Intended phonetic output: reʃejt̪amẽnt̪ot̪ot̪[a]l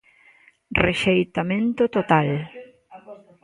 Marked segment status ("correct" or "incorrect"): correct